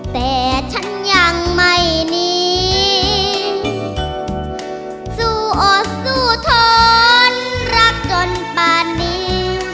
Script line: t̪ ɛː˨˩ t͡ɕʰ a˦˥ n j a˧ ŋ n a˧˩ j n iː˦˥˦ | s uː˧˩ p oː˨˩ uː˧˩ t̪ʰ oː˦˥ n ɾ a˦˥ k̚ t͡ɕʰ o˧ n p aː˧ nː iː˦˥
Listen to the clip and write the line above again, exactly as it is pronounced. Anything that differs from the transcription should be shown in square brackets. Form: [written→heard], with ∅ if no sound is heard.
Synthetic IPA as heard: t̪ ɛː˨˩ t͡ɕʰ a˦˥ n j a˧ ŋ [n→m] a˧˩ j n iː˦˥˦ | s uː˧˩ [p→ʔ] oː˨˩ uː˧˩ t̪ʰ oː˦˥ n ɾ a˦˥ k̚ [t͡ɕʰ→t͡ɕ] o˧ n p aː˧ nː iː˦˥